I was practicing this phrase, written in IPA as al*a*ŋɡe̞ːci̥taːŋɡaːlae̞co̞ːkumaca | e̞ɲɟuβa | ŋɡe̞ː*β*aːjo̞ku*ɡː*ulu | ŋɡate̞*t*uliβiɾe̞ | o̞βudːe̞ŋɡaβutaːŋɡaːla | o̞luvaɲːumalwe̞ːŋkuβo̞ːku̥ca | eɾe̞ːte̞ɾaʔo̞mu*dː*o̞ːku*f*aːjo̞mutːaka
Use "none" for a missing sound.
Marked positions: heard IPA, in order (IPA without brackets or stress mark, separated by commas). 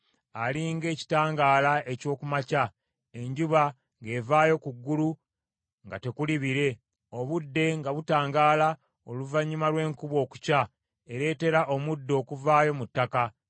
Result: i, v, ɡː, k, dː, v